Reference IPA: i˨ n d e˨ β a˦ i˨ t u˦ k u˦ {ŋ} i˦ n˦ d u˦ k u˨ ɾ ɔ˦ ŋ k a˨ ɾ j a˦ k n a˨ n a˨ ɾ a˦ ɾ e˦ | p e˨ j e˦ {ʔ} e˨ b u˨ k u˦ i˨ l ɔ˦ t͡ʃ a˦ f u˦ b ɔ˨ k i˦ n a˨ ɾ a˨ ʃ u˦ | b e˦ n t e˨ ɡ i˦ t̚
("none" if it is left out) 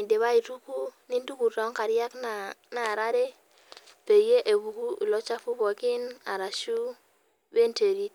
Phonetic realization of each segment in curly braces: n, ʔ

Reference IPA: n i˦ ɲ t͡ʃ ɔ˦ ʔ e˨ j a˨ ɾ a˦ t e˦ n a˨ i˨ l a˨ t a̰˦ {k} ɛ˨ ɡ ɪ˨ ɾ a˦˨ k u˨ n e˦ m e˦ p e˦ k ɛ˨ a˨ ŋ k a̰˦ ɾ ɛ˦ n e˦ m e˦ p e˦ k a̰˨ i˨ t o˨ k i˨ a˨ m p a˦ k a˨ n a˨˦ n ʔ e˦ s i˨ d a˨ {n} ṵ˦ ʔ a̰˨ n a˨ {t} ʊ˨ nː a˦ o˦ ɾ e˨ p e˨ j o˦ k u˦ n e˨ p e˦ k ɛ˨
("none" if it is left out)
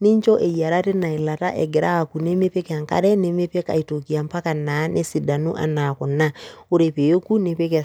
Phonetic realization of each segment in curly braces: ʔ, n, k

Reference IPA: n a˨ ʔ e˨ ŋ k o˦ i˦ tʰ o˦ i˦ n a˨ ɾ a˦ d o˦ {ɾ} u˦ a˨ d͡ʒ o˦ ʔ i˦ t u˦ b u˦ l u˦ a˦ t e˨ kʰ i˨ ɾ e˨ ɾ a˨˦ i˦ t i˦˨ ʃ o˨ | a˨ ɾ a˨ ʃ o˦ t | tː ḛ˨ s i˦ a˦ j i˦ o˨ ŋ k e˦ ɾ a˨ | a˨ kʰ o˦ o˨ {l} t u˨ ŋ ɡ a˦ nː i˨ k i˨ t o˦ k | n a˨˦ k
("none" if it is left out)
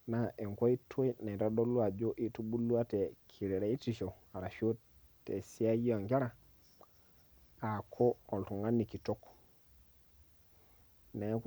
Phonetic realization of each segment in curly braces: l, l

